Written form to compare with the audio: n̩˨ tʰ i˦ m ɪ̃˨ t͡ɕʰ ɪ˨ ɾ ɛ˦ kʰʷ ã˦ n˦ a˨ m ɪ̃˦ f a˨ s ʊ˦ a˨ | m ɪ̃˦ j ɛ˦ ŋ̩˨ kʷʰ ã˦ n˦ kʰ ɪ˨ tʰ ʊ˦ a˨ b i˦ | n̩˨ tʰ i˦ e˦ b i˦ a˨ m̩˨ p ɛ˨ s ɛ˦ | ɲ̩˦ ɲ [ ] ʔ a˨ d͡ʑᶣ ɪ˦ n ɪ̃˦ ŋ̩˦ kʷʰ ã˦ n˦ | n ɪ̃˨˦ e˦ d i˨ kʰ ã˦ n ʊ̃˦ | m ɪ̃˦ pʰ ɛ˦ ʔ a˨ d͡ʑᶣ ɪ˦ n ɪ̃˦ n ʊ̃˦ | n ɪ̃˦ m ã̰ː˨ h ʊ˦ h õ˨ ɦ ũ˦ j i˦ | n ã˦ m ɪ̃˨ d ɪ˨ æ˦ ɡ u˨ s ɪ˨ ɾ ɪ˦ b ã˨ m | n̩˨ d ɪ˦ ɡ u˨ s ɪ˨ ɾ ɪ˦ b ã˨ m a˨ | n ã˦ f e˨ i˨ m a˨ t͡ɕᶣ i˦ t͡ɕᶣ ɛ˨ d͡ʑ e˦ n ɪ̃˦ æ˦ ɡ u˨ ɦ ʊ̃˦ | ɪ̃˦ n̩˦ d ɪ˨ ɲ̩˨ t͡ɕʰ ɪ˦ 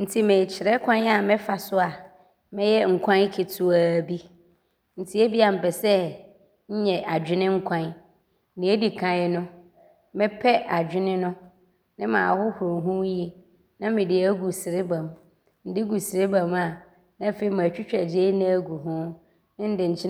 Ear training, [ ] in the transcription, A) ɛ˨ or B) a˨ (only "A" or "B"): A